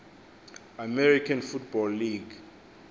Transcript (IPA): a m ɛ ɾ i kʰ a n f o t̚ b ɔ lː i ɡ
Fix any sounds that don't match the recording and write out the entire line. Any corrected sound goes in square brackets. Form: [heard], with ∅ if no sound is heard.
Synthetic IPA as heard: a m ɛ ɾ i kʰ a n f [u] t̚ b ɔ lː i ɡ